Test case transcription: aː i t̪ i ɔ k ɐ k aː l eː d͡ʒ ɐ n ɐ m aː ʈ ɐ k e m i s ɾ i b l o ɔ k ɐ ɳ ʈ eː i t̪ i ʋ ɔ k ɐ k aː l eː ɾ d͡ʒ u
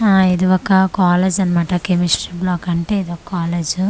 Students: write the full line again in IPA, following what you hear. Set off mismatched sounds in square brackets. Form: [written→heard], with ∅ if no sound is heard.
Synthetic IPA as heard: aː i [t̪→d̪] i ɔ k ɐ k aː l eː d͡ʒ ɐ n ɐ m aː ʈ ɐ k e m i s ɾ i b l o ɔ k ɐ ɳ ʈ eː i [t̪→d̪] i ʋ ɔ k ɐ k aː l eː [ɾ→∅] d͡ʒ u